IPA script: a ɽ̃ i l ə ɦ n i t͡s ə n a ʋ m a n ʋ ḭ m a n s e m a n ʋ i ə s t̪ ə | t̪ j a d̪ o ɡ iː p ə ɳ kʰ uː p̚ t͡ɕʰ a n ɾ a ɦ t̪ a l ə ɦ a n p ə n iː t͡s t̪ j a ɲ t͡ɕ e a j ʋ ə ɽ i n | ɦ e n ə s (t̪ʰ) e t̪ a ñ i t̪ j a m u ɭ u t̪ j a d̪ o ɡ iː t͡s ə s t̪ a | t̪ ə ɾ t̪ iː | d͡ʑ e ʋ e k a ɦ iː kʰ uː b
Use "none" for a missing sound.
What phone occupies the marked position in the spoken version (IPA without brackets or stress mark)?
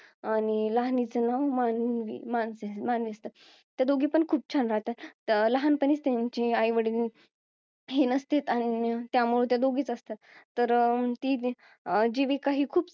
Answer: t̪